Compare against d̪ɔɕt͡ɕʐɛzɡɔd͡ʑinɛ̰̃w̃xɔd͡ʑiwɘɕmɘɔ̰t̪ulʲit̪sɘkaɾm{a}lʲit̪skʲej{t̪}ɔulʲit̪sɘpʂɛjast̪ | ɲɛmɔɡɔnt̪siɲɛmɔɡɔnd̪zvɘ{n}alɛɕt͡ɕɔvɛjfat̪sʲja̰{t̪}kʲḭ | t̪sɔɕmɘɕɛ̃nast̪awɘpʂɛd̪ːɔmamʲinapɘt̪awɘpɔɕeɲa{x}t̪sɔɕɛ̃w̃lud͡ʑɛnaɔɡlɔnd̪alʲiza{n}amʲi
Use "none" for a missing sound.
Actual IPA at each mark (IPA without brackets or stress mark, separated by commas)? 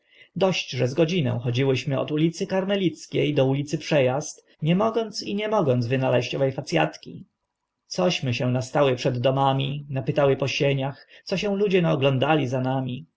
ɛ, d̪, n, t̪, x, n